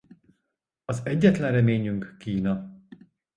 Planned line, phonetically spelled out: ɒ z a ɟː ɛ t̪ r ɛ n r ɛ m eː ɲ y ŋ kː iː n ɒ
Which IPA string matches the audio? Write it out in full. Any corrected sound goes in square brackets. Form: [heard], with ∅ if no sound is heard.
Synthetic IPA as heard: ɒ z [ɛ] ɟː ɛ t̪ [l] ɛ n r ɛ m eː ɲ y ŋ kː iː n ɒ